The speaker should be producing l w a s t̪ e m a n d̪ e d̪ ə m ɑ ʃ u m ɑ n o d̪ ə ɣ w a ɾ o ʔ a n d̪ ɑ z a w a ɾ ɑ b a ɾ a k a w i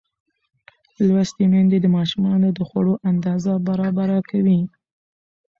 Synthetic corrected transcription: l w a s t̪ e m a n d̪ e d̪ ə m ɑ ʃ u m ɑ n o d̪ ə x w a ɽ o ʔ a n d̪ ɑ z a b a ɾ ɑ b a ɾ a k a w i